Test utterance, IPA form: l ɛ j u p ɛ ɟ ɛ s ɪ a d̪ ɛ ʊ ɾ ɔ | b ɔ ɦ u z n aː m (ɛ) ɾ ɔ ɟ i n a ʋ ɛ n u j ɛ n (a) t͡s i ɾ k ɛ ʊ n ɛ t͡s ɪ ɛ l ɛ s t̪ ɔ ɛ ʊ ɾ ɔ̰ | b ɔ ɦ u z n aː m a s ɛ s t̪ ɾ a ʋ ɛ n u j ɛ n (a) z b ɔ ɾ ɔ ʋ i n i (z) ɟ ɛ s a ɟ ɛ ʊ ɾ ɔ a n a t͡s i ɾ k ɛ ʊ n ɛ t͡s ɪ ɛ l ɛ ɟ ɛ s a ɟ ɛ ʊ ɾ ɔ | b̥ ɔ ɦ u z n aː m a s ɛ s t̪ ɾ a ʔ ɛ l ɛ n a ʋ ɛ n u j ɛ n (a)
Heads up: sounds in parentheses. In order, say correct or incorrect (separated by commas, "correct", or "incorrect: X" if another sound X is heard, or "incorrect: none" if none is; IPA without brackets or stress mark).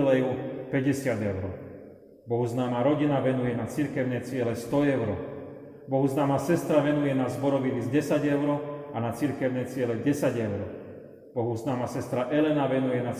incorrect: a, correct, correct, correct, correct